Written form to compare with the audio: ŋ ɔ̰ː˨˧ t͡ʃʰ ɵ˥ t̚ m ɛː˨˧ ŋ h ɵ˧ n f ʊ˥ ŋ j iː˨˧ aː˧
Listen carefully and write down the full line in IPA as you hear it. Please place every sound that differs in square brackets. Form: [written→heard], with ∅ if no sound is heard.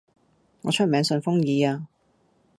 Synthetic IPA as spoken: ŋ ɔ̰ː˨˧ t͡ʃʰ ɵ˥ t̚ m ɛː˨˧ ŋ [h→s] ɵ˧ n f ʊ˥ ŋ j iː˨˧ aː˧